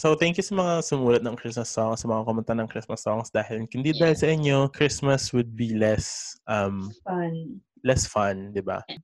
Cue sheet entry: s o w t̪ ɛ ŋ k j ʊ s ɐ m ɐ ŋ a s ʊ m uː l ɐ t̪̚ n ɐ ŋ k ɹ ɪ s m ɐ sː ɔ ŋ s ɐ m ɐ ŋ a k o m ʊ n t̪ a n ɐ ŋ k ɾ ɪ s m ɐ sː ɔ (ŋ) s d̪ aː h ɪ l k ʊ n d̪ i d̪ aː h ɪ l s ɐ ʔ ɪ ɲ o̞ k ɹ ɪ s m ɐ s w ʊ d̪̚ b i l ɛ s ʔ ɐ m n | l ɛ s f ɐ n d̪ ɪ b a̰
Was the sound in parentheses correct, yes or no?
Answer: yes